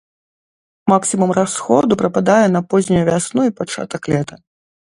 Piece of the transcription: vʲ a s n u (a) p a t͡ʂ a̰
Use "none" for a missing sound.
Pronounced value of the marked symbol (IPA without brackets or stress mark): i